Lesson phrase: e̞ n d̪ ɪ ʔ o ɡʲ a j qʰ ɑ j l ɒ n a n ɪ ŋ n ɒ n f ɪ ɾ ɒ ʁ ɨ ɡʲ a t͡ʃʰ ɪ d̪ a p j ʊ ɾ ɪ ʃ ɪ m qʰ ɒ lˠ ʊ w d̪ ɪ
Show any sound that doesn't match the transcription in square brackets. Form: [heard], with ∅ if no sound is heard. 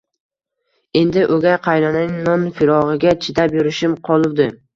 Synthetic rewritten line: e̞ n d̪ ɪ ʔ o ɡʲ a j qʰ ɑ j l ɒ n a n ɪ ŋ n ɒ n f ɪ ɾ ɒ ʁ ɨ ɡʲ a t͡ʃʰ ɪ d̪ a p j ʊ ɾ ɪ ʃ ɪ m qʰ ɒ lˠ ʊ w d̪ ɪ